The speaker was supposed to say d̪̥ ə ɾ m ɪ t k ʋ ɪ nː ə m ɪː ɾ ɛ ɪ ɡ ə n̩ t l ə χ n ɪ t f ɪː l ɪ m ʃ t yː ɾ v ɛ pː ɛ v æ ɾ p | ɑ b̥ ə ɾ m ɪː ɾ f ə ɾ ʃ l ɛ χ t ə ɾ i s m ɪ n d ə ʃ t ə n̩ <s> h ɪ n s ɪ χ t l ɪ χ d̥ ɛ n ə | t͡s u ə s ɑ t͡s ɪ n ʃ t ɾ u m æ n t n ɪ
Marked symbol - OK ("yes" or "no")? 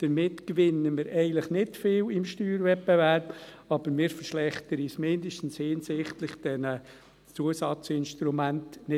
yes